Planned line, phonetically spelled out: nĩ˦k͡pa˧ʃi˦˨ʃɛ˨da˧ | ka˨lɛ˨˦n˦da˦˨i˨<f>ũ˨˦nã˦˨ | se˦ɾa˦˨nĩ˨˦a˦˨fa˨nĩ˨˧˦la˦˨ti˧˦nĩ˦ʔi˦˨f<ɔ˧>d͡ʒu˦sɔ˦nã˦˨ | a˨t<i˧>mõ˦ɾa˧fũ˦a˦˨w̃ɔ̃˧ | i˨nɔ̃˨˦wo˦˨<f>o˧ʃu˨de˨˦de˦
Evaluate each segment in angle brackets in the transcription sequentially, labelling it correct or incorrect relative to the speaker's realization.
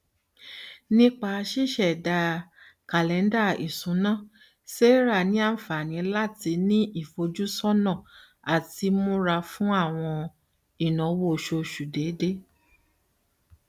incorrect: s, incorrect: o˧, correct, incorrect: ʃ

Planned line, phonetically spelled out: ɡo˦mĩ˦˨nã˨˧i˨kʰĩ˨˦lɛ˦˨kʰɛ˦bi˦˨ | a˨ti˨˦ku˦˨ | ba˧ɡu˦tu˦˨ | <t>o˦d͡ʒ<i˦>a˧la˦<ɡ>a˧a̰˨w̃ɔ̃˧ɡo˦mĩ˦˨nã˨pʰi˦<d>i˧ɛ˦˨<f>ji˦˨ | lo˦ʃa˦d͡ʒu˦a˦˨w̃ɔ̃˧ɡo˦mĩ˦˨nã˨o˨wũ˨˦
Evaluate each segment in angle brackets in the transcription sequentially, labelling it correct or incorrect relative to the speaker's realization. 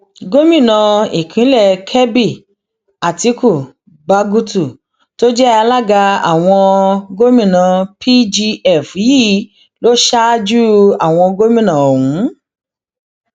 correct, incorrect: ɛ˦, correct, incorrect: d͡ʒ, correct

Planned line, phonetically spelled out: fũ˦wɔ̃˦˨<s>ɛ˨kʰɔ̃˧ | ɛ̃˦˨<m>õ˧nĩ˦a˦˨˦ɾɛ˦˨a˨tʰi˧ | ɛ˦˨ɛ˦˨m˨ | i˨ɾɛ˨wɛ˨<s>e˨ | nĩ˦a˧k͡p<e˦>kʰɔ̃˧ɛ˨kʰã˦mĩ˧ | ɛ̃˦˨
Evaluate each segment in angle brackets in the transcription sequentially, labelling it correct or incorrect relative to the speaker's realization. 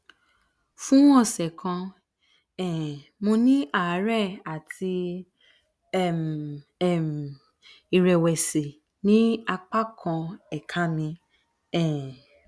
correct, correct, correct, incorrect: a˦

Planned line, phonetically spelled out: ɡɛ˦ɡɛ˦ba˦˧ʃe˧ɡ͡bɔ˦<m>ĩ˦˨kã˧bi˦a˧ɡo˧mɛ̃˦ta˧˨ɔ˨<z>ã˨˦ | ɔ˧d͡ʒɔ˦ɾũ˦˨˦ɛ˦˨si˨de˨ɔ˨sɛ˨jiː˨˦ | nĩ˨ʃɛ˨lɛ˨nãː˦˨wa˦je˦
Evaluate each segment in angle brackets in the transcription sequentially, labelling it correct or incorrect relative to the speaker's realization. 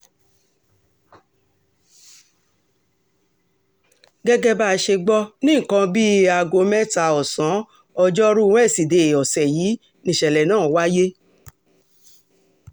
incorrect: n, incorrect: s

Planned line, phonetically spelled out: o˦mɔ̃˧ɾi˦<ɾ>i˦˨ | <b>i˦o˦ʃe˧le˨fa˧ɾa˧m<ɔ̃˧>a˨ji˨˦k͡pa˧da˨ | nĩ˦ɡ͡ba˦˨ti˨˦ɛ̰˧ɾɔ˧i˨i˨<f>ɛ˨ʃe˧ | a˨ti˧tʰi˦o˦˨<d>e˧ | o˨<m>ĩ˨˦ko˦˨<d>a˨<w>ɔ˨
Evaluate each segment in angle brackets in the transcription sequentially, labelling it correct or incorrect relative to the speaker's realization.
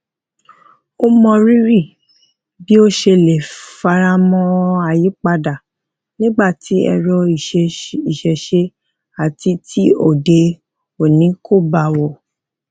correct, correct, correct, incorrect: ʃ, correct, incorrect: n, incorrect: b, correct

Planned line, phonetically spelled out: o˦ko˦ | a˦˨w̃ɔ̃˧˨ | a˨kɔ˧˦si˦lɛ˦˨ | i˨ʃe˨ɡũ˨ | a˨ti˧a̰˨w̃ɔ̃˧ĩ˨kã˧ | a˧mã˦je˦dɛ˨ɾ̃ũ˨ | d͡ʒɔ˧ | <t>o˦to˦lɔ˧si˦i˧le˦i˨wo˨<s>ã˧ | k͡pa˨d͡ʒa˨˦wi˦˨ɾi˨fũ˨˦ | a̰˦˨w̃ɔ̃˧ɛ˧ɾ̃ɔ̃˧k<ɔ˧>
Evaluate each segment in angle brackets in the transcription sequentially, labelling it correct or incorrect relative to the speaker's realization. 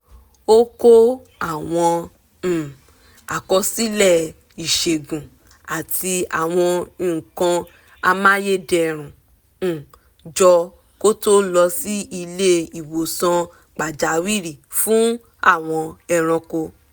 incorrect: k, correct, incorrect: o˧

